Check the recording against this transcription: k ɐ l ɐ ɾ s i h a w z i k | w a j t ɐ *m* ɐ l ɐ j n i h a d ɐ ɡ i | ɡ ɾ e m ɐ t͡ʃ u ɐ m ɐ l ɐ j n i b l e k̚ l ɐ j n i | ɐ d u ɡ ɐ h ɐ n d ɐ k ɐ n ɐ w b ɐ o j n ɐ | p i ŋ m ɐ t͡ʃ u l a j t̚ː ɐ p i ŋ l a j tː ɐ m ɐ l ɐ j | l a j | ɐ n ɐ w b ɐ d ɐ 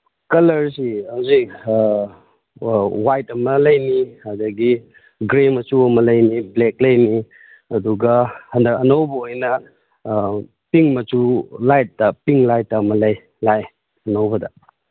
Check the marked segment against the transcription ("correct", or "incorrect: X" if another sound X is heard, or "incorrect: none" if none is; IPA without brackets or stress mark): correct